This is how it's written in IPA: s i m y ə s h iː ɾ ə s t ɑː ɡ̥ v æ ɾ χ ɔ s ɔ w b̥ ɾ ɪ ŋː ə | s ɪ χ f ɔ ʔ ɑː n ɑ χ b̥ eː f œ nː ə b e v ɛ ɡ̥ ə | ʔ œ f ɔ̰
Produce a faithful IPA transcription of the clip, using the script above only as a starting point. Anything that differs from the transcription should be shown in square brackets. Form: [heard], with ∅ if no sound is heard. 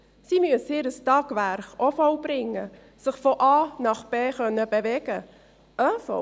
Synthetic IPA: s i m y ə s h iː ɾ ə s t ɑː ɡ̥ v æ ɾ χ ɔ [f] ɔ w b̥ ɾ ɪ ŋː ə | s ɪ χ f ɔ ʔ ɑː n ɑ χ b̥ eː [χ] œ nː ə b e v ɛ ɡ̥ ə | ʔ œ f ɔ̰